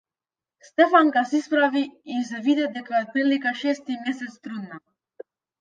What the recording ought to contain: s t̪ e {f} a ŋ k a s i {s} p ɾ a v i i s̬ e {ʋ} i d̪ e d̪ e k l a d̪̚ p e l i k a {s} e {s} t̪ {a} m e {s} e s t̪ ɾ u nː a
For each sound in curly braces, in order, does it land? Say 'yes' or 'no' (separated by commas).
yes, yes, no, no, yes, no, yes